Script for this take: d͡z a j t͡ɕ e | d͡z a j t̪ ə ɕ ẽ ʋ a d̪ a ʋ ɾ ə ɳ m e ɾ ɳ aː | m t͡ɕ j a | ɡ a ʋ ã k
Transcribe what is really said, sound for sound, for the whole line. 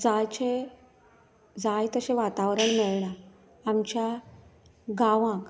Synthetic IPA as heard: d͡z a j t͡ɕ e | d͡z a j t̪ ə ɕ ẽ ʋ a t̪ a ʋ ɾ ə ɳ m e ɭ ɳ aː | m t͡ɕ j a | ɡ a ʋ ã k